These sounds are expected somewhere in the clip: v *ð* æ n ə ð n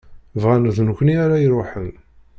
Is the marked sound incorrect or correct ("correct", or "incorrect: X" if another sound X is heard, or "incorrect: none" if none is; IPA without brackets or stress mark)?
incorrect: ʁ